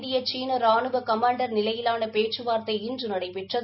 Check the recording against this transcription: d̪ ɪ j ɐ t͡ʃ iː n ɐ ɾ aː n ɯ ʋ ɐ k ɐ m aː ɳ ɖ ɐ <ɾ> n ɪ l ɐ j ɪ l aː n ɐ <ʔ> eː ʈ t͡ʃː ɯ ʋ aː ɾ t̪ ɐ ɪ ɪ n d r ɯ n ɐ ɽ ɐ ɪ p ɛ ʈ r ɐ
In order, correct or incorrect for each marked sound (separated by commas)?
correct, incorrect